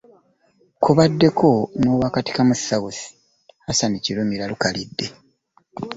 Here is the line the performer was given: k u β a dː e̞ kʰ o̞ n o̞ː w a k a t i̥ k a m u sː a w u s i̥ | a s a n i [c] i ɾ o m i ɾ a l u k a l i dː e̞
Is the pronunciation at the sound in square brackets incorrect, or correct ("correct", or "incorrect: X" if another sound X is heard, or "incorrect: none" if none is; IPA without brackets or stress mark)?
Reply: correct